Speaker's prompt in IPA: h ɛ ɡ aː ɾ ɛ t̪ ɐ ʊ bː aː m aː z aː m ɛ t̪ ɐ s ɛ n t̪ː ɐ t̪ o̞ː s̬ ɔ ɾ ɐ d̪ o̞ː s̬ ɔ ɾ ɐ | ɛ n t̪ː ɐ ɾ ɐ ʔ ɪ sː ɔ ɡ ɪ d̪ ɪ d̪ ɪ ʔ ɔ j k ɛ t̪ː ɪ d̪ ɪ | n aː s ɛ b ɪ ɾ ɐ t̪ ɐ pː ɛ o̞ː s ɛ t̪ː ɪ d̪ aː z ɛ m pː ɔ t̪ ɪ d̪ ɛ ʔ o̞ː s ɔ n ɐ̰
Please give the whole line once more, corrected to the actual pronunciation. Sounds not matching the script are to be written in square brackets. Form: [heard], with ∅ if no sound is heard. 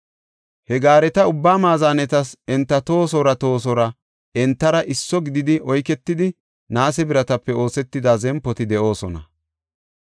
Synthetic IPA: h ɛ ɡ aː ɾ ɛ t̪ ɐ ʊ bː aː m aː z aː [n] ɛ t̪ ɐ s ɛ n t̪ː ɐ t̪ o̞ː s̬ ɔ ɾ ɐ [t̪] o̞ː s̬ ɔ ɾ ɐ | ɛ n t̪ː ɐ ɾ ɐ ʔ ɪ sː ɔ ɡ ɪ d̪ ɪ d̪ ɪ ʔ ɔ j k ɛ t̪ː ɪ d̪ ɪ | n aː s ɛ b ɪ ɾ ɐ t̪ ɐ pː ɛ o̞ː s ɛ t̪ː ɪ d̪ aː z ɛ m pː ɔ t̪ ɪ d̪ ɛ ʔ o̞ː s ɔ n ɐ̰